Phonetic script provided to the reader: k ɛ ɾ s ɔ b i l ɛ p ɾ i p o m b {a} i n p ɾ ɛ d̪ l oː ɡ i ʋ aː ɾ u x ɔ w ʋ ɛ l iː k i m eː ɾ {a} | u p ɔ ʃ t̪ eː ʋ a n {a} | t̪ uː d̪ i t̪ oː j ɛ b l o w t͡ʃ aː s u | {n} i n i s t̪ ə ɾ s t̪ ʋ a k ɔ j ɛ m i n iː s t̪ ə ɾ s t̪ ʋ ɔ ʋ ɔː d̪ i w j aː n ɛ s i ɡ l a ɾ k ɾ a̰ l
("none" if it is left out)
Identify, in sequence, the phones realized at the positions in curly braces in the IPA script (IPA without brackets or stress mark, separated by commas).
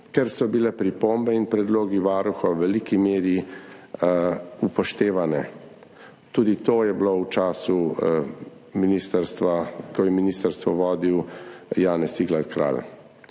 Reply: ɛ, i, ɛ, m